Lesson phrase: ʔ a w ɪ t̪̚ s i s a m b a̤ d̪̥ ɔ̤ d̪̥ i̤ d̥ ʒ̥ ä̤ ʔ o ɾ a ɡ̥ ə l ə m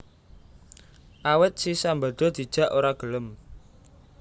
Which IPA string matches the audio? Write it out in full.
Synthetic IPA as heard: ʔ a w ɪ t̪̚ s i s a m b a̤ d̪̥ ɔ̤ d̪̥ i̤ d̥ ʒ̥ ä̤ ʔ o ɾ a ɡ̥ ə l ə m